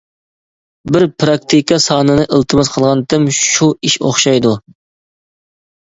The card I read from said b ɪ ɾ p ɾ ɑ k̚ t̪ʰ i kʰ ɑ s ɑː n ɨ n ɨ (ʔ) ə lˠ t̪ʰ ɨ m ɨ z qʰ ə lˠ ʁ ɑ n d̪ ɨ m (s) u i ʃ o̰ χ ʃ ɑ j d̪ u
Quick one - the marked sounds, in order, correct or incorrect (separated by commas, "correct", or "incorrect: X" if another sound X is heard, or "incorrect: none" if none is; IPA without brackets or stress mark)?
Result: correct, incorrect: ʃ